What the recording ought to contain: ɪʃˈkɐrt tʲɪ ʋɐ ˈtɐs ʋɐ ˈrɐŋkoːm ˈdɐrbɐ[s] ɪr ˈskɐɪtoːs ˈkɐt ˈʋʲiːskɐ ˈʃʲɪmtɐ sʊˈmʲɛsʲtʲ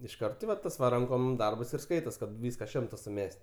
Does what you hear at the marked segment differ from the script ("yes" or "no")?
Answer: no